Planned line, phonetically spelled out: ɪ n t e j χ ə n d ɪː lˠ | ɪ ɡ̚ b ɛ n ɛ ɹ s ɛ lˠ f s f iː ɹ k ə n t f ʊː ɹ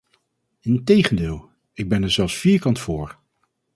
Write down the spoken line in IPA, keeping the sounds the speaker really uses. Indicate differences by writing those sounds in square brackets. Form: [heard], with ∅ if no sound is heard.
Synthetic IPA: ɪ n t e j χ ə n d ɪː lˠ | ɪ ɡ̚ b ɛ n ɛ ɹ [z] ɛ lˠ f s f iː ɹ k [ɑ] n t f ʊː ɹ